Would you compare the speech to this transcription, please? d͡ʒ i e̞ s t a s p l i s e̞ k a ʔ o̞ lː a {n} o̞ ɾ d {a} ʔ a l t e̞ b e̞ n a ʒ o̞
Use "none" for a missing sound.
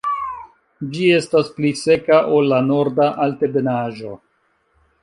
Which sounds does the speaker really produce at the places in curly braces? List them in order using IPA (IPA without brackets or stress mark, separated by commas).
n, a